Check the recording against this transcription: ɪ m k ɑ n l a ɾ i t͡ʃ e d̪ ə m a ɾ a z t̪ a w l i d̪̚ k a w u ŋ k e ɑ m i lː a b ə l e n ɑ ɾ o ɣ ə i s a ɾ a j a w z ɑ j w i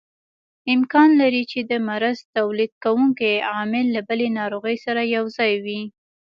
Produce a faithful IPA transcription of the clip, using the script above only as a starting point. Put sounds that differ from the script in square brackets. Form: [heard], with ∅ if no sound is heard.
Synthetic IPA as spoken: ɪ m k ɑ n l a ɾ i t͡ʃ e d̪ ə m a ɾ a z t̪ a w l i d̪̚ k a w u ŋ k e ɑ m [ɪ] lː a b ə l e n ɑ ɾ o ɣ ə [j] s a ɾ a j a w z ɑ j w i